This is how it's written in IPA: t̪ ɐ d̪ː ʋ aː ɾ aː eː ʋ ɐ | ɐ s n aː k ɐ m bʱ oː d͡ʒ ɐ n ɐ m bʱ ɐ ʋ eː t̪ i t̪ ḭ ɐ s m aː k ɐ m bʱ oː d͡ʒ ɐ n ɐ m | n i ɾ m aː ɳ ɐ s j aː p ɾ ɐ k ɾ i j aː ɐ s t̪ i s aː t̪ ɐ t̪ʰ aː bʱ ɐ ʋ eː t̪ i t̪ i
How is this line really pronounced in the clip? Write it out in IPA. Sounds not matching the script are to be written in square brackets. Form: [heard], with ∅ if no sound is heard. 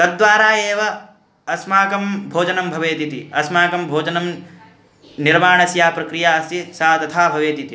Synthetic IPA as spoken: t̪ ɐ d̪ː ʋ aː ɾ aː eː ʋ ɐ | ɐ s [m] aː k ɐ m bʱ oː d͡ʒ ɐ n ɐ m bʱ ɐ ʋ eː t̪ i t̪ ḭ ɐ s m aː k ɐ m bʱ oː d͡ʒ ɐ n ɐ m | n i ɾ m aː ɳ ɐ s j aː p ɾ ɐ k ɾ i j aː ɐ s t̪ i s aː t̪ ɐ t̪ʰ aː bʱ ɐ ʋ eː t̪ i t̪ i